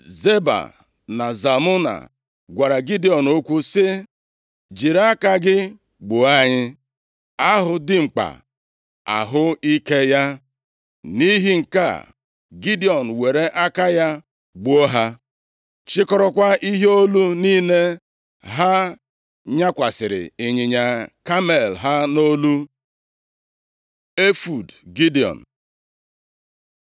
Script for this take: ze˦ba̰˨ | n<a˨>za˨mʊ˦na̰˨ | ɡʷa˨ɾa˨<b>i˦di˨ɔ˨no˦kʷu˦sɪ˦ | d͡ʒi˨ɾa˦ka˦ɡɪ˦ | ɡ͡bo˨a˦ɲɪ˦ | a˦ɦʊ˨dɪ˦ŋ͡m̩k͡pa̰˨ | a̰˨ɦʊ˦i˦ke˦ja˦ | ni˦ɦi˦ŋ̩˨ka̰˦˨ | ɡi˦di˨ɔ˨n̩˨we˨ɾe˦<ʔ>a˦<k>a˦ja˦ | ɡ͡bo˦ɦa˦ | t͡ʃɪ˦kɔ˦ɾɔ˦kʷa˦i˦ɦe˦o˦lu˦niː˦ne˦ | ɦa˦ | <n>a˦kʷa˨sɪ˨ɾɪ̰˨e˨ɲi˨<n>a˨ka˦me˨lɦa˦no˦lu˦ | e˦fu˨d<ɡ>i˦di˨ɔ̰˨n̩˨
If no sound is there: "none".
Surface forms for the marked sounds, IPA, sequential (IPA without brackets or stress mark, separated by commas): a˨, ɡ, ʔ, k, ɲ, ɲ, ɡ